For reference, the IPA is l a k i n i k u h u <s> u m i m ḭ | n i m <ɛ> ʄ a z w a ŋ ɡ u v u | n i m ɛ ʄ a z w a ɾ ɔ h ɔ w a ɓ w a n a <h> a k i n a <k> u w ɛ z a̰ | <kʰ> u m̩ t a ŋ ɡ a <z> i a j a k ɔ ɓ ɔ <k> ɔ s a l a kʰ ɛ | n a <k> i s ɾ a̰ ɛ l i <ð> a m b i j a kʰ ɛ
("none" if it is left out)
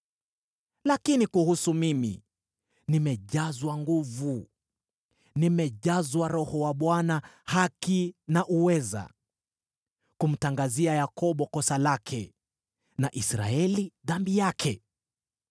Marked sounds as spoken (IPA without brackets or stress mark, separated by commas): s, ɛ, h, ʔ, k, z, k, ʔ, ð